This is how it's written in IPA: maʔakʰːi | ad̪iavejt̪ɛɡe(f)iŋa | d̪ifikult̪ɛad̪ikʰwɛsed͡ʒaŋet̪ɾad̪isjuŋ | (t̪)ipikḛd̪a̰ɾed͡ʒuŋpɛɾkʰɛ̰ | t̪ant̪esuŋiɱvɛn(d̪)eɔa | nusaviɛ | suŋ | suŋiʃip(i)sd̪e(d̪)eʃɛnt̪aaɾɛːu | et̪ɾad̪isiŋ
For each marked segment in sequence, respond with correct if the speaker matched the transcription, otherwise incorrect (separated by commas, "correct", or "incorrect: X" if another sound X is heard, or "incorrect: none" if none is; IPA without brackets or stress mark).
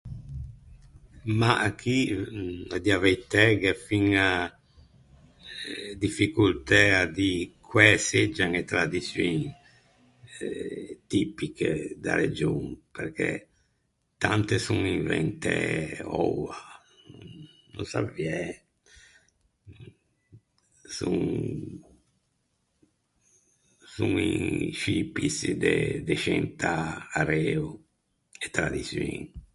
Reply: correct, correct, incorrect: t̪, correct, correct